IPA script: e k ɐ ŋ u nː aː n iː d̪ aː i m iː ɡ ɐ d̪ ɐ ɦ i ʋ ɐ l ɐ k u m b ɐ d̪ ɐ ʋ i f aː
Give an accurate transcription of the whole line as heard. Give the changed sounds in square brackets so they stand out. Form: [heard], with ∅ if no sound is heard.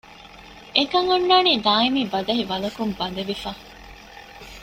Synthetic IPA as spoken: e k ɐ ŋ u nː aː n iː d̪ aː i m iː [b] ɐ d̪ ɐ ɦ i ʋ ɐ l ɐ k u m b ɐ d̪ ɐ ʋ i f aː

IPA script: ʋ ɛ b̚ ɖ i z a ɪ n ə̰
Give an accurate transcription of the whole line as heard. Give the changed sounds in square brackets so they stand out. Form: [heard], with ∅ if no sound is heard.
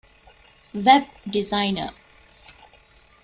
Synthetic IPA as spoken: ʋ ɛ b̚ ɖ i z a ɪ n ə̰

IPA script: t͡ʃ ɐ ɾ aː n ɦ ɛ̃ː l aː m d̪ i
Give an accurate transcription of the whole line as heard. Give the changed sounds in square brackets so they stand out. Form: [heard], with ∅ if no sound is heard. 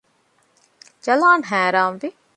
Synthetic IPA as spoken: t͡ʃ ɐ [l] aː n ɦ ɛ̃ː [ɾ] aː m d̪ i

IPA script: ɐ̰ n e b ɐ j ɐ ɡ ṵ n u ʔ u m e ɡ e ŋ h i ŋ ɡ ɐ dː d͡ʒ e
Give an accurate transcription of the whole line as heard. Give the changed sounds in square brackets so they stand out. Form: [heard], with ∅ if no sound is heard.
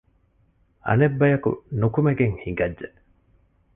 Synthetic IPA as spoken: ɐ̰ n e [bː] ɐ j ɐ [k] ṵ n u [k] u m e ɡ e ŋ h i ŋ ɡ ɐ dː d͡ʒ e

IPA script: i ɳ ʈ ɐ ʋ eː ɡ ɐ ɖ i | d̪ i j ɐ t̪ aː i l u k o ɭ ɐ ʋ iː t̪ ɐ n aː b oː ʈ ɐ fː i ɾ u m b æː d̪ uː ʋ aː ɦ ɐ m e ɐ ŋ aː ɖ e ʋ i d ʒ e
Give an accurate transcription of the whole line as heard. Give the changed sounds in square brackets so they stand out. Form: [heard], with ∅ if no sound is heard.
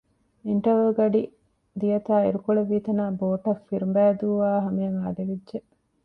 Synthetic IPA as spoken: i ɳ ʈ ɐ ʋ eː ɡ ɐ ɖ i | d̪ i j ɐ t̪ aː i [ɾ] u k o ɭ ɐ ʋ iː t̪ ɐ n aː b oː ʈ ɐ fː i ɾ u m b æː d̪ uː ʋ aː ɦ ɐ m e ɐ ŋ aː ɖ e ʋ i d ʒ e

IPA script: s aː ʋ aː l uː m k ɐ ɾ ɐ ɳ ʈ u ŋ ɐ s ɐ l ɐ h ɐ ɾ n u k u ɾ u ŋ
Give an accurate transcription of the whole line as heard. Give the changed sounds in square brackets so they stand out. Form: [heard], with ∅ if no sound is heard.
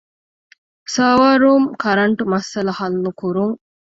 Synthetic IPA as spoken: s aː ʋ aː [ɾ] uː m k ɐ ɾ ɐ ɳ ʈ u [m] ɐ s ɐ l ɐ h ɐ [l] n u k u ɾ u ŋ

